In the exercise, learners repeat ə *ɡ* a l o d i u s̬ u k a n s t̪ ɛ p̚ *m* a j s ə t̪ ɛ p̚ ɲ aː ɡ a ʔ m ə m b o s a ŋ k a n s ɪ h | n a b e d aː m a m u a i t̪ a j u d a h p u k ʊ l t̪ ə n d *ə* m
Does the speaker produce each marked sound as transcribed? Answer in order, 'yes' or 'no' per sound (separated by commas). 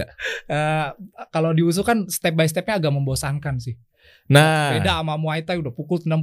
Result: no, no, no